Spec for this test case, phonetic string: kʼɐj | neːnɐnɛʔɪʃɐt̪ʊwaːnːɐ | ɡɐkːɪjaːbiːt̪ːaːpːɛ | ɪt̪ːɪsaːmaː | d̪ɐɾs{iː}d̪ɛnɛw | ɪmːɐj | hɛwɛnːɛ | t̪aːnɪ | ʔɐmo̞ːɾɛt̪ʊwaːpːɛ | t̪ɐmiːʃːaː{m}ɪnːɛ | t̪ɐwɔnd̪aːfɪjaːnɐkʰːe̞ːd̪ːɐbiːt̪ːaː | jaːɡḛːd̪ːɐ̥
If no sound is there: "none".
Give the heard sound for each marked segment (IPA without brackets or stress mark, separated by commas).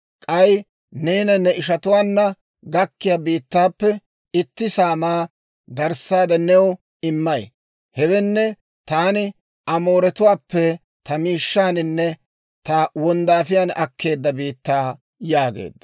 aː, n